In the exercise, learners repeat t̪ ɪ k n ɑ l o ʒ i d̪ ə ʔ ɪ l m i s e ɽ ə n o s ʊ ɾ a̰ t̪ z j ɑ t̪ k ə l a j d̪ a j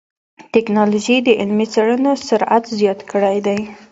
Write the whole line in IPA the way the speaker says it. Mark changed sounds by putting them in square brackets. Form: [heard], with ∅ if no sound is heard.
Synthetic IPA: t̪ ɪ k n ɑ l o ʒ i d̪ ə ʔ ɪ l m i [t͡s] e ɽ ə n o s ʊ ɾ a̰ t̪ z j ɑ t̪ k ə [ɽ] a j d̪ a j

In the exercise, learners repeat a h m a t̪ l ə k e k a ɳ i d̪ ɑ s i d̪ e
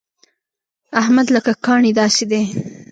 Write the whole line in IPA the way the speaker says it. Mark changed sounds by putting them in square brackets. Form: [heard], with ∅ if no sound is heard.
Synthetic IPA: a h m a [d̪] l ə k [a] k [ɑ] ɳ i d̪ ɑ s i d̪ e

